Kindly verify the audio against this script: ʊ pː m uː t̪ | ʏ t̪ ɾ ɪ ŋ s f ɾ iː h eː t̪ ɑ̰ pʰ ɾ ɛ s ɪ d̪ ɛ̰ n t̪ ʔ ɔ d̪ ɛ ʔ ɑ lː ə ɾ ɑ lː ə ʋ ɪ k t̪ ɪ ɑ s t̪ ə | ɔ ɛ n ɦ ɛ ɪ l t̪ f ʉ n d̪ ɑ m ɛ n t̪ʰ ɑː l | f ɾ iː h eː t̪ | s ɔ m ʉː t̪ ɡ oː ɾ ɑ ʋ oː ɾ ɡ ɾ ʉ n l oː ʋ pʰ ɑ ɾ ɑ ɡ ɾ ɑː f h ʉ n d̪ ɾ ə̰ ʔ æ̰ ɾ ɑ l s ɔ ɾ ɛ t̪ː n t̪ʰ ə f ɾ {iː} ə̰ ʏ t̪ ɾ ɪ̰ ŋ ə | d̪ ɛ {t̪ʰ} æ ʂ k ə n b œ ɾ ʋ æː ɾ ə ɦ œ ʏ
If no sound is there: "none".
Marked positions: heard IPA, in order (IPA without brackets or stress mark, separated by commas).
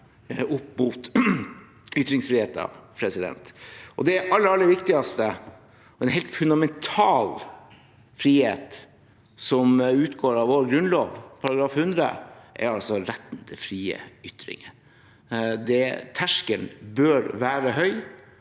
iː, t̪ʰ